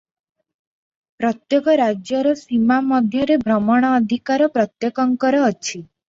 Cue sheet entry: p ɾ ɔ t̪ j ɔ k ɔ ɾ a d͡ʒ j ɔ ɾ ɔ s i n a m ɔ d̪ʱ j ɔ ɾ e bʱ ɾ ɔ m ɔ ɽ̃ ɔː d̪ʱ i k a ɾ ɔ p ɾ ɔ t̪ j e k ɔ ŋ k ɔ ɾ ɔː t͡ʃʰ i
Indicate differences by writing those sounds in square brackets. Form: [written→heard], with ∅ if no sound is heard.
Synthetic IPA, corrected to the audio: p ɾ ɔ t̪ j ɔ k ɔ ɾ a d͡ʒ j ɔ ɾ ɔ s i [n→m] a m ɔ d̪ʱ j ɔ ɾ e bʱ ɾ ɔ m ɔ ɽ̃ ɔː d̪ʱ i k a ɾ ɔ p ɾ ɔ t̪ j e k ɔ ŋ k ɔ ɾ ɔː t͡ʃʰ i